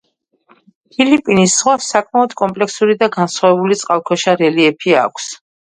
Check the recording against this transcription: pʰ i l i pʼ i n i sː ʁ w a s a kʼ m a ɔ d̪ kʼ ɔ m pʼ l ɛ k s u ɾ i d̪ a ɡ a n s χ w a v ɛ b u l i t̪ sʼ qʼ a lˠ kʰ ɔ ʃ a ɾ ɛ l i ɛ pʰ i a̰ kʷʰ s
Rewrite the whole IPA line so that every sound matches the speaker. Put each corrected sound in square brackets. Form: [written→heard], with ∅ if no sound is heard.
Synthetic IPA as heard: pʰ i l i pʼ i n i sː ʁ w a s a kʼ m a ɔ d̪ kʼ ɔ m pʼ l ɛ k s u ɾ i d̪ a ɡ a n s χ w a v ɛ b u l i t̪ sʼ qʼ a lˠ kʰ ɔ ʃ a ɾ ɛ l i ɛ pʰ i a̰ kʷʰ s